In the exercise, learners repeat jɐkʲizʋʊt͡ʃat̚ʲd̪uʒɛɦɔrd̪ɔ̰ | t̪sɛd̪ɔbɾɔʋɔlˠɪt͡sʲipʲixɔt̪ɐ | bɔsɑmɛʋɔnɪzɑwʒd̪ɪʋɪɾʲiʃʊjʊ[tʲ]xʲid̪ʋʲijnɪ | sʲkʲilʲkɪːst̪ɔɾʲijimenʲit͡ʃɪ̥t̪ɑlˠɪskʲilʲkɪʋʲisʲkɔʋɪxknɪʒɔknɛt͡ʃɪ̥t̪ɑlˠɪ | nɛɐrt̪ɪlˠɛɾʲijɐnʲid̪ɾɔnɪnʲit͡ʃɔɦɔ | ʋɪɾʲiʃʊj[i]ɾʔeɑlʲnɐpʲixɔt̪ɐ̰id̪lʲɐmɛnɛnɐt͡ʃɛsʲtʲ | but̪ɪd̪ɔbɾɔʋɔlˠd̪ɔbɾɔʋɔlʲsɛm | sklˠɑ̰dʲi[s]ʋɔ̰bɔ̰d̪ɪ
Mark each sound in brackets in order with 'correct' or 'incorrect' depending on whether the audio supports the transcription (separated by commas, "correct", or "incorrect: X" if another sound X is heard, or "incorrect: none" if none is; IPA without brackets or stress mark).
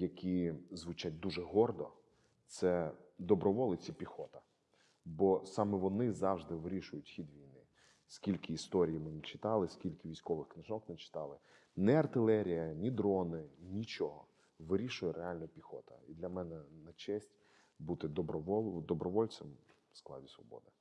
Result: correct, incorrect: ɛ, correct